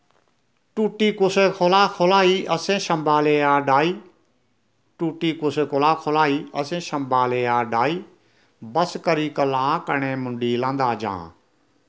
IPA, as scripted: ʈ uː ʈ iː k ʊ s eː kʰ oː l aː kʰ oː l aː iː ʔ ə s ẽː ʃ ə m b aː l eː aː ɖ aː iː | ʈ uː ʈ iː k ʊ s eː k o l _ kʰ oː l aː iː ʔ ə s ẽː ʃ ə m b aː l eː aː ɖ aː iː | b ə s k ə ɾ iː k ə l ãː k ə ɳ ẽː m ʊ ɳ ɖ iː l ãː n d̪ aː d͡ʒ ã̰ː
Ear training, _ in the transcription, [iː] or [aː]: aː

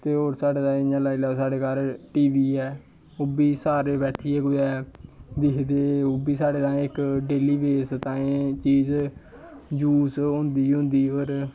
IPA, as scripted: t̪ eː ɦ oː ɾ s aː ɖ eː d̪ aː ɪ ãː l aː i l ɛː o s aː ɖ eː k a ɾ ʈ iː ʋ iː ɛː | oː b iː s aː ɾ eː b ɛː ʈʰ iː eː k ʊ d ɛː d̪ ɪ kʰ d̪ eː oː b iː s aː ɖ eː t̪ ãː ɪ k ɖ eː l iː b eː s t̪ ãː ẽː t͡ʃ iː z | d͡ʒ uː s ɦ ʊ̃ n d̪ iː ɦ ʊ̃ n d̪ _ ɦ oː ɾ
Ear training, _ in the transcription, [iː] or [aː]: iː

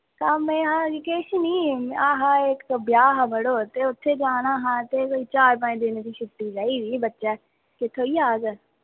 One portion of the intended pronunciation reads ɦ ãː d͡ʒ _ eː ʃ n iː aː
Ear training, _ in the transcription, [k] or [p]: k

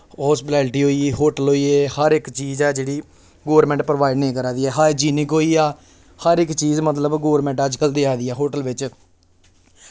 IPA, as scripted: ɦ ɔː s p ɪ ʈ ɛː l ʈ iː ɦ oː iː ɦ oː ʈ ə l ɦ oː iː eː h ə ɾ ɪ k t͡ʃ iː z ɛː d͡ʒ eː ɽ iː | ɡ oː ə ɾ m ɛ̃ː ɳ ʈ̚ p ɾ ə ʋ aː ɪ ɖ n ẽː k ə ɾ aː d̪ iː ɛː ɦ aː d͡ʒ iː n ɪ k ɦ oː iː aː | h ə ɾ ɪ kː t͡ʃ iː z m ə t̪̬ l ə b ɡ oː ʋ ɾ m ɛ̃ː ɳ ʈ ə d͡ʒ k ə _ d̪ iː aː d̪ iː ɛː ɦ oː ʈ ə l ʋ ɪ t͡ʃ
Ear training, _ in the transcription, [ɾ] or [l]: l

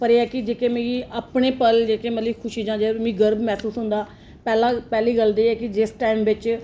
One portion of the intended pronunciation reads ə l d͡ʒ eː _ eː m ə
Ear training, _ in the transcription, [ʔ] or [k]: k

